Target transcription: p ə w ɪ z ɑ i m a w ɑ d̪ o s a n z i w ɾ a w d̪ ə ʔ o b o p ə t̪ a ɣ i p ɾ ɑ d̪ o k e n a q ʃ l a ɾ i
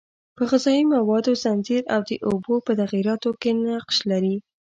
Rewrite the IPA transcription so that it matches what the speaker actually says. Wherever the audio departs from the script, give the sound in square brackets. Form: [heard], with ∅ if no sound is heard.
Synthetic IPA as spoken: p ə [ɣ] ɪ z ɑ i m a w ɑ d̪ o [z] a n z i [∅] ɾ a w d̪ ə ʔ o b o p ə t̪ a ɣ i [∅] ɾ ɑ [t̪] o k e n a q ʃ l a ɾ i